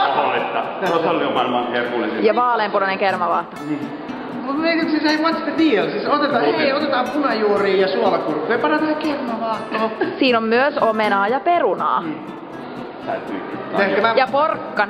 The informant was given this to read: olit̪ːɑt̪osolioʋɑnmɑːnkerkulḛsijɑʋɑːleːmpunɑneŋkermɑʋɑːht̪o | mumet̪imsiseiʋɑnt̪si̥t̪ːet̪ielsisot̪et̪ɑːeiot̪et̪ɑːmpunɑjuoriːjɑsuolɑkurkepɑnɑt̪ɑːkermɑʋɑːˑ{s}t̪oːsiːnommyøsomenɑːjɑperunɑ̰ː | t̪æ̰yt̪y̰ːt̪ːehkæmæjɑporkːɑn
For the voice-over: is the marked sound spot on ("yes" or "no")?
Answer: no